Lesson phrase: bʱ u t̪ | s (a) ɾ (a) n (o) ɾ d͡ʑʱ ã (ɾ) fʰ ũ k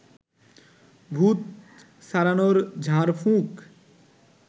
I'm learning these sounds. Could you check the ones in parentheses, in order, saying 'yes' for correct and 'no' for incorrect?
yes, yes, yes, yes

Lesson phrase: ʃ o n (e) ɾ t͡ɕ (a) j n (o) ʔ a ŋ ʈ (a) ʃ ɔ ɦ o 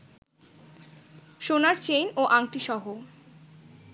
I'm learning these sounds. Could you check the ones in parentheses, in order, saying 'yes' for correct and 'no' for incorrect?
no, no, yes, no

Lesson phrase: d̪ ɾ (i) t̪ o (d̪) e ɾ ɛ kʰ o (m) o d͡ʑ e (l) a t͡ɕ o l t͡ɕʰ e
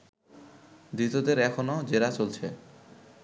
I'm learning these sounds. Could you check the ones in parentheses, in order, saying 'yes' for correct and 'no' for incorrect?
yes, yes, no, no

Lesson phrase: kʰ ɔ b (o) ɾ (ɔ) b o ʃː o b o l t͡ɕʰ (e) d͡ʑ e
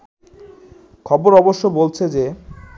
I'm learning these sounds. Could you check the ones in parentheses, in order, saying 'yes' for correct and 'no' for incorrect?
yes, yes, yes

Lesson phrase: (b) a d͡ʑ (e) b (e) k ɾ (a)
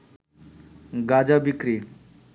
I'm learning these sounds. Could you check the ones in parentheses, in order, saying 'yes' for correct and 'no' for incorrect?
no, no, no, no

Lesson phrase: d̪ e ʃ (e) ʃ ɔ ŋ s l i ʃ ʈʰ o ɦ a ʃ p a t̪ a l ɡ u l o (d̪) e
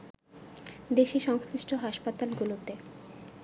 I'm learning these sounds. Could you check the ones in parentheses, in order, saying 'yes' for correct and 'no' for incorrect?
no, no

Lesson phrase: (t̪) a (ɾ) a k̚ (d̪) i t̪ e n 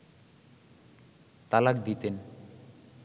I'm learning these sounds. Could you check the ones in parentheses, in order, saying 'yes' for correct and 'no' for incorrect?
yes, no, yes

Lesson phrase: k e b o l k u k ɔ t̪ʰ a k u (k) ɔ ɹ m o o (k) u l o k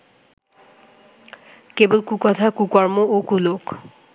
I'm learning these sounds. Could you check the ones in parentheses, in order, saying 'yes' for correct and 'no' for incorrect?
yes, yes

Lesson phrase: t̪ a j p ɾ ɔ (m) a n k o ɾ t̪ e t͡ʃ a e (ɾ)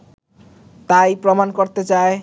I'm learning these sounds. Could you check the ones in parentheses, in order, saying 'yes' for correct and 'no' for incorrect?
yes, no

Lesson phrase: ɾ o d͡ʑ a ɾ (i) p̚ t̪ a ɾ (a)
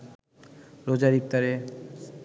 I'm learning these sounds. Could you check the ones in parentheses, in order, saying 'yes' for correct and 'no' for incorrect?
yes, no

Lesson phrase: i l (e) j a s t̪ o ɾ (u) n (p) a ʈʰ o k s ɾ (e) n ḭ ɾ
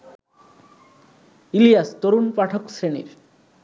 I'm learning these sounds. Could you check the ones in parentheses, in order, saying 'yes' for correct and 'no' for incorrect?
no, yes, yes, yes

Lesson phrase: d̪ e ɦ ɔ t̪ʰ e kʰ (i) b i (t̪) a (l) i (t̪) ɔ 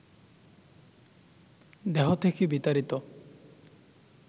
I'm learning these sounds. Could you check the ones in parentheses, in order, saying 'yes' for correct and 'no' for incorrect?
yes, yes, no, yes

